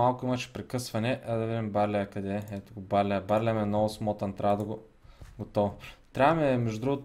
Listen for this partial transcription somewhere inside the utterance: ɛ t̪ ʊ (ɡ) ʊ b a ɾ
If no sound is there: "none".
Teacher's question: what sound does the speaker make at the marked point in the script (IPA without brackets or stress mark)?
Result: ɡ